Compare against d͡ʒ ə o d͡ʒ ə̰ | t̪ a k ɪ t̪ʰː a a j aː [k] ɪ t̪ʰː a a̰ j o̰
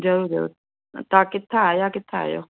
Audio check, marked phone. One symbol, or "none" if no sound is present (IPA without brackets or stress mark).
k